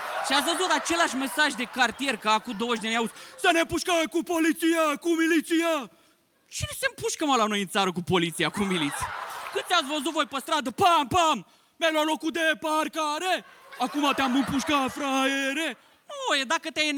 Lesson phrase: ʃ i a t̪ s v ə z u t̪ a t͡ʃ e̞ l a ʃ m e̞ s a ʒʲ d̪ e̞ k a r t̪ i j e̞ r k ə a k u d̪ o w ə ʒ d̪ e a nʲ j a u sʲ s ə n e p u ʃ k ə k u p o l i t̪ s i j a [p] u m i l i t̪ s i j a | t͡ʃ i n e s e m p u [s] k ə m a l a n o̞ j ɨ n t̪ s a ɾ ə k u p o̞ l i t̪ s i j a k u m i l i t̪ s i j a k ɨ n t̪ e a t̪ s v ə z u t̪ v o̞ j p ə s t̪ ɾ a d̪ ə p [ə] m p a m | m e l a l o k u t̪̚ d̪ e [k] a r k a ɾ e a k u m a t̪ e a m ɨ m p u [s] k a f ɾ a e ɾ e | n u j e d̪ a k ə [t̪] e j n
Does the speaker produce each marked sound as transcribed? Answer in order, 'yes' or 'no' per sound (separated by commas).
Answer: no, no, no, no, no, yes